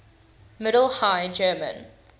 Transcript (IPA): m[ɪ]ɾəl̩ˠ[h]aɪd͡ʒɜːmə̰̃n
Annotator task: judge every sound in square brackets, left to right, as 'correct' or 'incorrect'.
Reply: correct, correct

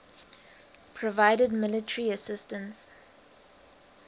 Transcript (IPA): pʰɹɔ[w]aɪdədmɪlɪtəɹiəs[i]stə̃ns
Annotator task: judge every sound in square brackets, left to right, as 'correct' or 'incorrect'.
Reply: incorrect: v, incorrect: ɪ

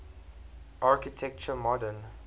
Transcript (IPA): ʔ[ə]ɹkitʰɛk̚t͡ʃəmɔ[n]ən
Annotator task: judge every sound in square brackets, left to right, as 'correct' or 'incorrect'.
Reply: incorrect: a, incorrect: d

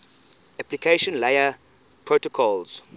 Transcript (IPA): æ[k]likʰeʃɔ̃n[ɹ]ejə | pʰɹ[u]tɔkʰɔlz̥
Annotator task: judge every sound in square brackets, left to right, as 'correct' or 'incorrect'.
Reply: incorrect: p, incorrect: l, incorrect: o

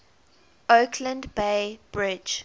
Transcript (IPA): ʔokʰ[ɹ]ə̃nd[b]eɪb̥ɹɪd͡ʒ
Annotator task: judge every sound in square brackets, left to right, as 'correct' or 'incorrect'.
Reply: incorrect: l, correct

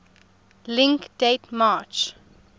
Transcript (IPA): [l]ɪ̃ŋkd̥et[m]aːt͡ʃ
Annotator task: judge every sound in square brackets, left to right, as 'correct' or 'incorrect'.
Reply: correct, correct

